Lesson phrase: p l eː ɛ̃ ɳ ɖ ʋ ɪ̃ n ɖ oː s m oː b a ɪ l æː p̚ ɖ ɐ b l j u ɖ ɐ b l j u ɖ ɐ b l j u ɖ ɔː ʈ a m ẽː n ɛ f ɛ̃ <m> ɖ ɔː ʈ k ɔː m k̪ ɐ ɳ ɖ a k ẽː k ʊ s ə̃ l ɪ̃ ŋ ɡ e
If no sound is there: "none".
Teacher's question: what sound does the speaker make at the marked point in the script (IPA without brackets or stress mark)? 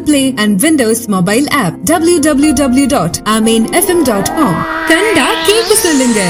m